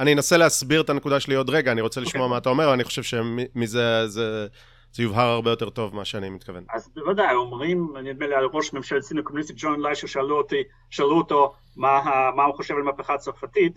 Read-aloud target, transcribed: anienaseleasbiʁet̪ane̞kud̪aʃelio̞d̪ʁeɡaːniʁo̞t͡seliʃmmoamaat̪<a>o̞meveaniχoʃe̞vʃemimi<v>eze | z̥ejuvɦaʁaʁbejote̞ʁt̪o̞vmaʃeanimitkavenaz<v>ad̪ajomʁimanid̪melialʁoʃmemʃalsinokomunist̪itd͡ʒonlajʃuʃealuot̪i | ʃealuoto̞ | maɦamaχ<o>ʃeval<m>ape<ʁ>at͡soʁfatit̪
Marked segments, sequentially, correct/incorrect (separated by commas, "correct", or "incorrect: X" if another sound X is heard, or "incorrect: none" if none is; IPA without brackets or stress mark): correct, incorrect: z, correct, correct, correct, incorrect: χ